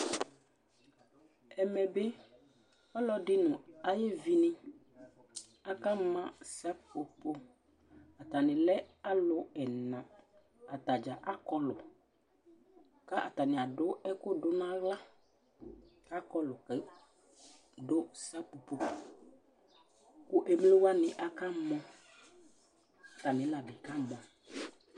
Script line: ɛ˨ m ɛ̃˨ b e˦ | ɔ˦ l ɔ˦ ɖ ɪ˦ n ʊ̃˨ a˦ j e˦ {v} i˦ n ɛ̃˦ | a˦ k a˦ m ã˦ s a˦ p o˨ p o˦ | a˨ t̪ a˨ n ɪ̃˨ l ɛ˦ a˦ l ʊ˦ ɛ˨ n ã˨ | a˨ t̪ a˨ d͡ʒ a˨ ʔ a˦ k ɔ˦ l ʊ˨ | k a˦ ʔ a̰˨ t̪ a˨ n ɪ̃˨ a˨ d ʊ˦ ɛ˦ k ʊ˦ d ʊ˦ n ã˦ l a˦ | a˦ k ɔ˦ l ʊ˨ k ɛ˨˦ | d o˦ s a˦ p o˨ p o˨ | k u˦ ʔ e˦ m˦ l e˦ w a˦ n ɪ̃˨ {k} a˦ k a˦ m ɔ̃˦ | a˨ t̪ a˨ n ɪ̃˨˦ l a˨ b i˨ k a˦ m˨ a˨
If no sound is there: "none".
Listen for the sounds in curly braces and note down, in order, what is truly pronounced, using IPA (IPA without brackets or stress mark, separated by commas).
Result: v, ʔ